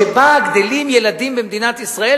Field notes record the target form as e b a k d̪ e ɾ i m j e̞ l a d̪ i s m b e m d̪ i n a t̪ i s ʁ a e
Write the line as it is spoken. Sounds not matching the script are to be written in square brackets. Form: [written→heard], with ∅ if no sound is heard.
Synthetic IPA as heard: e b a [k→ɡ] d̪ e [ɾ→l] i m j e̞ l a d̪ i [s→∅] m b e m d̪ i n a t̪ i s ʁ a e

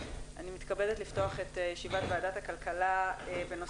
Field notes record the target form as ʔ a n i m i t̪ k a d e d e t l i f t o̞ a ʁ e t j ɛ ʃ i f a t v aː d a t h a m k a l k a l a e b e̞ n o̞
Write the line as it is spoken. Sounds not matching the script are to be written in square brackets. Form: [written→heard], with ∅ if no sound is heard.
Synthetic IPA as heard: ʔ a n i m i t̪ k a [d→b] e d e t l i f t o̞ a [ʁ→χ] e t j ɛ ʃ i [f→v] a t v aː d a t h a [m→∅] k a l k a l a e b e̞ n o̞

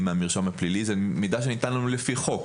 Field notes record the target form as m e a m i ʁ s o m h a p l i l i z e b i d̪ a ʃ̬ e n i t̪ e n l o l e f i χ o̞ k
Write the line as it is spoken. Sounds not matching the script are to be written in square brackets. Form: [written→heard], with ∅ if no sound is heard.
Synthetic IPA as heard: m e a m i ʁ [s→ʃ] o m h a p l i l i z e [b→m] i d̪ a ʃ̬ e n i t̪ [e→a] n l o l e f i χ o̞ k

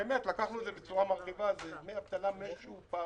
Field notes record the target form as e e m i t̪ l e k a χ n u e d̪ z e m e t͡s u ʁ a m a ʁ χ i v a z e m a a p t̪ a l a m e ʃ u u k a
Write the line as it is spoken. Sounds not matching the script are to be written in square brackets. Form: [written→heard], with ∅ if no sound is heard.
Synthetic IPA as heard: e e m [i→e] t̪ l [e→a] k a χ n u e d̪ z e [m→b] e t͡s u ʁ a m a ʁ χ i v a z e m [a→e] a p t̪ a l a m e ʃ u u [k→p] a

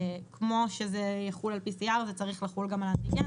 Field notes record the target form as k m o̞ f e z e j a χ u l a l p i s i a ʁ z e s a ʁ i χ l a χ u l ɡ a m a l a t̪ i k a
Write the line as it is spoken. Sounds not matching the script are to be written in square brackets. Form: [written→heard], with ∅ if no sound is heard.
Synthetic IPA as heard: k m o̞ [f→ʃ] e z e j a χ u l a l p i s i a ʁ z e [s→t͡s] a ʁ i χ l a χ u l ɡ a m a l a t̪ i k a

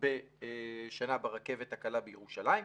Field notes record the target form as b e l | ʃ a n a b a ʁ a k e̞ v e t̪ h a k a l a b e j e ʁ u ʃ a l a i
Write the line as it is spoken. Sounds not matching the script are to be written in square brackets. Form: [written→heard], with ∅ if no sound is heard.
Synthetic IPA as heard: b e [l→∅] | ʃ a n a b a ʁ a k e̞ v e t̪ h a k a l a b e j e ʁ u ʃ a l a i

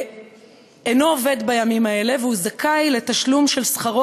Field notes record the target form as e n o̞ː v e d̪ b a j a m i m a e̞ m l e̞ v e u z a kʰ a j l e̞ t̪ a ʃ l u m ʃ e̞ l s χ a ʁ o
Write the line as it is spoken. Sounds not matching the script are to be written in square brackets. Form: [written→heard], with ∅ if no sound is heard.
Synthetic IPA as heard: e n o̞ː v e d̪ b a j a m i m a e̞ [m→∅] l e̞ v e u z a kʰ a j l e̞ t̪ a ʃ l u m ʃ e̞ l s χ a ʁ o

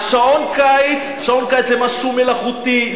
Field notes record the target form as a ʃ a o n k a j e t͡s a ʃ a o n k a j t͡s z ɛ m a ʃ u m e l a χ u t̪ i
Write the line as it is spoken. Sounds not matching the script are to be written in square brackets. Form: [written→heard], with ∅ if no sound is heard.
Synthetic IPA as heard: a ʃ a o n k a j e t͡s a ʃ a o n k a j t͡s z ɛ m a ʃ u m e l a χ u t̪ i

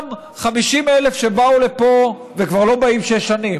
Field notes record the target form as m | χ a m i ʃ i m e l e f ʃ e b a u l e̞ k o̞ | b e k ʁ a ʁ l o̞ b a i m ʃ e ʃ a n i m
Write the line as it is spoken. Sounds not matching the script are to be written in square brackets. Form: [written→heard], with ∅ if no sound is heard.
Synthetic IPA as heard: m | χ a m i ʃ i m e l e f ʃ e b a u l e̞ [k→p] o̞ | [b→v] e k [ʁ→v] a ʁ l o̞ b a i m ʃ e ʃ a n i m

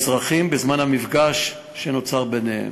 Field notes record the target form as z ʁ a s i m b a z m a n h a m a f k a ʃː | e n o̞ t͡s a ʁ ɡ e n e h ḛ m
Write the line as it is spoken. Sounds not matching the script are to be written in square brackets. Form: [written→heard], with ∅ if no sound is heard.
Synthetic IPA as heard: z ʁ a [s→χ] i m b [a→e] z m a n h a m [a→i] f [k→ɡ] a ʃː | e n o̞ t͡s a ʁ [ɡ→b] e n e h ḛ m

